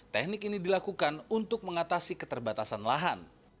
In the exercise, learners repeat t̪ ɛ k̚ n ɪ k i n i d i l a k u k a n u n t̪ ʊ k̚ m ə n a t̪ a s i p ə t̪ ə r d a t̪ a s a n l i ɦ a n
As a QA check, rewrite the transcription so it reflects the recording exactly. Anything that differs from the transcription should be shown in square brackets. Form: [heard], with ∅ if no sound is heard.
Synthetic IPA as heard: t̪ ɛ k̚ n ɪ k i n i d i l a k u k a n u n t̪ ʊ k̚ m ə [ŋ] a t̪ a s i [k] ə t̪ ə r [b] a t̪ a s a n l [a] ɦ a n